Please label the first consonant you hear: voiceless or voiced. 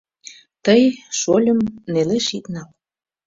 voiceless